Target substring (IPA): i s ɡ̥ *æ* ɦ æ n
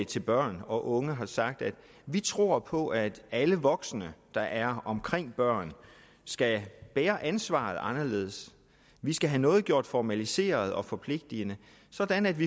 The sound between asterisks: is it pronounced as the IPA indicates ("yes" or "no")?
yes